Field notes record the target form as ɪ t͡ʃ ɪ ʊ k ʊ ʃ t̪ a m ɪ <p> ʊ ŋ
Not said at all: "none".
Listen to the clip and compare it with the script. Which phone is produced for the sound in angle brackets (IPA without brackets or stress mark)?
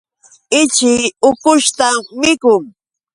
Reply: k